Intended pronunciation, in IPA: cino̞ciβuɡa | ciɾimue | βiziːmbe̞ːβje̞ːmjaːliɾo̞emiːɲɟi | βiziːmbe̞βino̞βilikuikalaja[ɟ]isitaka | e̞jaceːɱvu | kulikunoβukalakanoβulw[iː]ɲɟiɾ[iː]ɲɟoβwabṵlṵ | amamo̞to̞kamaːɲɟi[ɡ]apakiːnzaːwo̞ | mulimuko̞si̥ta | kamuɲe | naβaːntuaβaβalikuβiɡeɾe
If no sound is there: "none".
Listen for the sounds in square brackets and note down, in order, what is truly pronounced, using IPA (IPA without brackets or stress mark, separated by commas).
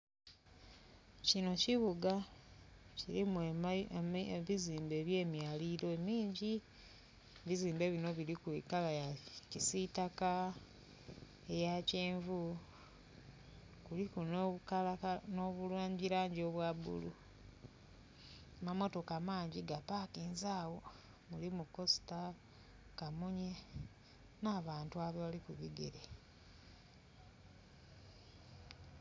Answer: c, aː, aː, ɡ